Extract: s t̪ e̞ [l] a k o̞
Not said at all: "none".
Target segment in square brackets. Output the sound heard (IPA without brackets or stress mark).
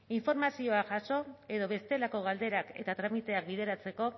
l